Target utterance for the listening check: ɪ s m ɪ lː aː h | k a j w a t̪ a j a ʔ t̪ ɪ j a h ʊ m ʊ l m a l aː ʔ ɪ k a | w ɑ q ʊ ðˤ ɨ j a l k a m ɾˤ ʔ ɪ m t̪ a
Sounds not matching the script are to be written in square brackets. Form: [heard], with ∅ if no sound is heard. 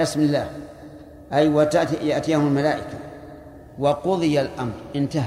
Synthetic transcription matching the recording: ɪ s m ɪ lː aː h | [ʔ] a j w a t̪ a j a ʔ t̪ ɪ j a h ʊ m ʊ l m a l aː ʔ ɪ k a | w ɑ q ʊ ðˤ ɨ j a l [ʔ] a m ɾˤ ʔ ɪ [n] t̪ a